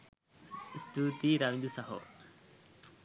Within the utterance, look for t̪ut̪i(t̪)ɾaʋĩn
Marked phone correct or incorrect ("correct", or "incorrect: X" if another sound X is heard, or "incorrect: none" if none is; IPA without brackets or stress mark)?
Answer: incorrect: none